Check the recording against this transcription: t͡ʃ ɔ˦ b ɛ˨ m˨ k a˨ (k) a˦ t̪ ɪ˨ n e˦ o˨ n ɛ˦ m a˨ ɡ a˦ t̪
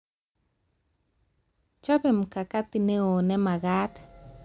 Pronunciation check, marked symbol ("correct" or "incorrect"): correct